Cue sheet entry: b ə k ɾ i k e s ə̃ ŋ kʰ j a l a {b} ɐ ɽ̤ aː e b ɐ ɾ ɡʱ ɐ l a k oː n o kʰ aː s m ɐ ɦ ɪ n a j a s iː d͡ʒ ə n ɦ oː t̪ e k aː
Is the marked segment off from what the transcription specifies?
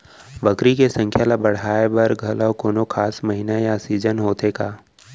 no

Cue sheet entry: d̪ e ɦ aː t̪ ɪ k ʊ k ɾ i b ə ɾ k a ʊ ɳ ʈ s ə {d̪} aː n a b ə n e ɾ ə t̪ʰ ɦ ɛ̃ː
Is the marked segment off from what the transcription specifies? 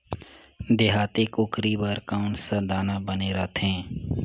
no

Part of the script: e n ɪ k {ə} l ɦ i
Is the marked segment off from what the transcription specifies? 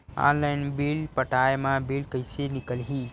no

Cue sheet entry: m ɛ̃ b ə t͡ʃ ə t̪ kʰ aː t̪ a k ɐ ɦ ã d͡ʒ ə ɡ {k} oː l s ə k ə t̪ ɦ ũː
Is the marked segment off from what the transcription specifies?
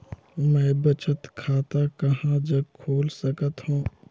yes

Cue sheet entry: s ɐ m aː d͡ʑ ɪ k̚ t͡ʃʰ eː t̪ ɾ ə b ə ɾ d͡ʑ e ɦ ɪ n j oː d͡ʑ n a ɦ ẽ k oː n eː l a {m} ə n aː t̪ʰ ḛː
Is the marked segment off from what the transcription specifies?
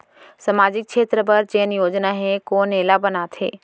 yes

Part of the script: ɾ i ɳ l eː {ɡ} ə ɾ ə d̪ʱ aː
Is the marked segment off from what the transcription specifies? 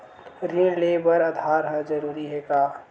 yes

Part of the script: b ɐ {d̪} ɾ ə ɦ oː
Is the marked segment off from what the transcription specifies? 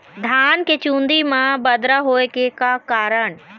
no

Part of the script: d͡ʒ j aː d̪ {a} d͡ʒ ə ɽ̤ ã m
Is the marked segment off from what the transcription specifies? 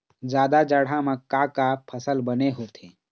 no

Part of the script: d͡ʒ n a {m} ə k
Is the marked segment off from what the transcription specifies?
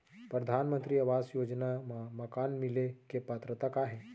no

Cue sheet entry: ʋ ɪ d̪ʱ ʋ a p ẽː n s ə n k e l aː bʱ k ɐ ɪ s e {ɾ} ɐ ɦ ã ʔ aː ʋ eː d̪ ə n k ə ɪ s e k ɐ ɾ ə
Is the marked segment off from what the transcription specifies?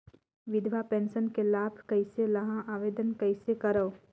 yes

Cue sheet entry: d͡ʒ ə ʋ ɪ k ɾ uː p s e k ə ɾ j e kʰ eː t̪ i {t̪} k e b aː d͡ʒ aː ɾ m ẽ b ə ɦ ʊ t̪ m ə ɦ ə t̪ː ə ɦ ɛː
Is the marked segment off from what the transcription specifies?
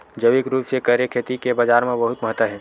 yes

